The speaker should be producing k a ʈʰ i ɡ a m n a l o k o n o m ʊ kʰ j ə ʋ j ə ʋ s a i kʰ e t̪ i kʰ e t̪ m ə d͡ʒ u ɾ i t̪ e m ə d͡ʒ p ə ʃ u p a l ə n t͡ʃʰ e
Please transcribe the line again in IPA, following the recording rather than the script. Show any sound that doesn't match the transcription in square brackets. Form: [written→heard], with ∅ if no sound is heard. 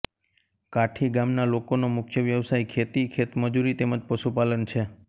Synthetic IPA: k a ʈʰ i ɡ a m n a l o k o n o m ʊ kʰ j ə ʋ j ə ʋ s a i kʰ e t̪ i kʰ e t̪ m ə d͡ʒ u ɾ i t̪ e m ə d͡ʒ p ə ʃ u p a l ə n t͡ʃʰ e